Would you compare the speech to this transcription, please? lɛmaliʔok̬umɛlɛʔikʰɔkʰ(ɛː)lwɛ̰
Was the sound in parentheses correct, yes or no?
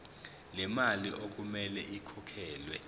yes